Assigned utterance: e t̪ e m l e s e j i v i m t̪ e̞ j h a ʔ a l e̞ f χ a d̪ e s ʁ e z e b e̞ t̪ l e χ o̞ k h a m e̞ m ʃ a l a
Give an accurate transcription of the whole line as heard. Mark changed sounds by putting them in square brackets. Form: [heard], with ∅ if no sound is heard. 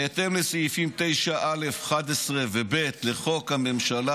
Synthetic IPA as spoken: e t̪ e m l e s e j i [f] i m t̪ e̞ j [ʃ] a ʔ a l e̞ f χ a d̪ e s ʁ e [v] e b e̞ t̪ l e χ o̞ k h a m e̞ m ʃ a l a